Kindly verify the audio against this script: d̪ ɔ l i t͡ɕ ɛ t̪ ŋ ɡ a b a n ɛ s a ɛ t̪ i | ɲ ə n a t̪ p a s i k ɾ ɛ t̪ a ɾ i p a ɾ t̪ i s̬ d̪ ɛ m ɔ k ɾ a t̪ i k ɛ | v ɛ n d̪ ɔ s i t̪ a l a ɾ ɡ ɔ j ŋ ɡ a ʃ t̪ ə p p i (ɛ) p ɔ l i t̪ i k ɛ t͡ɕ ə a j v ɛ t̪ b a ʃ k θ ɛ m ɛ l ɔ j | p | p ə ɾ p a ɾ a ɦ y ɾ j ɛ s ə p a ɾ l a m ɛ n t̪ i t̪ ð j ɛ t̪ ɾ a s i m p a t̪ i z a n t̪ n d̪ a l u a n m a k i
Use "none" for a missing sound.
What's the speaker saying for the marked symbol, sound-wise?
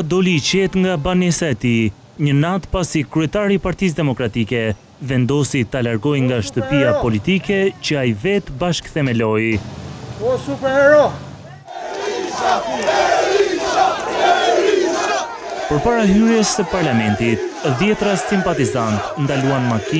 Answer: a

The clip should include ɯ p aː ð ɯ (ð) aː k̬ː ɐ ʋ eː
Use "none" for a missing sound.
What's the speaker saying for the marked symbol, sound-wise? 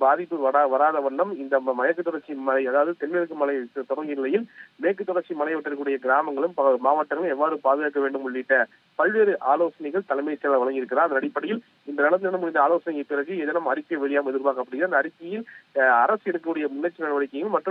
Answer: ɣ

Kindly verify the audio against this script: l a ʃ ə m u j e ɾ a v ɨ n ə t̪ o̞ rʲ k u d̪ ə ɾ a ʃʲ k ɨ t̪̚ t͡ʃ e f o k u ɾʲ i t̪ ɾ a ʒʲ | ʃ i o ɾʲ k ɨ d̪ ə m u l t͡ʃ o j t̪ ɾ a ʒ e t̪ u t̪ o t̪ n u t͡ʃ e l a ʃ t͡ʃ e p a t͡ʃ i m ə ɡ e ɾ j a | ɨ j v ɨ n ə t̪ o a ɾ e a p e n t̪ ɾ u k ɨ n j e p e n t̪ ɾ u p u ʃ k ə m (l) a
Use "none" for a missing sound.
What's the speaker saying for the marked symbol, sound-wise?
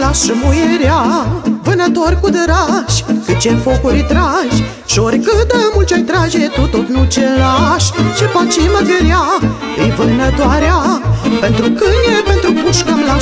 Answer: l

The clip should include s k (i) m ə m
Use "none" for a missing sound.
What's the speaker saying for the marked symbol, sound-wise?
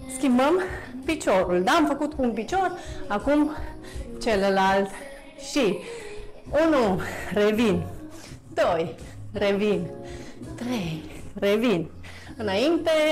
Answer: i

